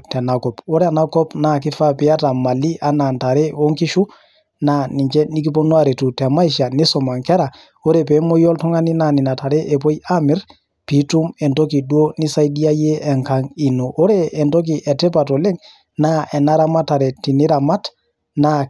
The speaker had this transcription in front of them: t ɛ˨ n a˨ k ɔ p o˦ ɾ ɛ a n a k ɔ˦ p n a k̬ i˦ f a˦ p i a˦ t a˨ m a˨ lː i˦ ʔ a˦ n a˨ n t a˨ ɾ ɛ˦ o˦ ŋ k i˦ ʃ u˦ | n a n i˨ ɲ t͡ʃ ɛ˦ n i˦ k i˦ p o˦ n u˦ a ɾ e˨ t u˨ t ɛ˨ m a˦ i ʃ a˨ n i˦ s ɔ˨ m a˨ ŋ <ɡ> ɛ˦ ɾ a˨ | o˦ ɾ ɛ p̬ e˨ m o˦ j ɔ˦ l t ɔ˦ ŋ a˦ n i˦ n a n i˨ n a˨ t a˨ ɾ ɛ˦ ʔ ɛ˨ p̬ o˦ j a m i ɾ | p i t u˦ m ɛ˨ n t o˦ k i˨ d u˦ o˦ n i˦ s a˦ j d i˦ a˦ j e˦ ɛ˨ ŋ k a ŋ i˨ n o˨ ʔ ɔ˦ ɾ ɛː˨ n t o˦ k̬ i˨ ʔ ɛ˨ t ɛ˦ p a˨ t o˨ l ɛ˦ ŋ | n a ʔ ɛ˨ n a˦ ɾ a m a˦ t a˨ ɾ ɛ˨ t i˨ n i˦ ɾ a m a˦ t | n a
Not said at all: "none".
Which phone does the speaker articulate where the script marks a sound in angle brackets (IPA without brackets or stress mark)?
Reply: k